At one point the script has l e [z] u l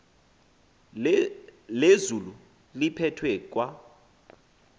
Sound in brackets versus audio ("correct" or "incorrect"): correct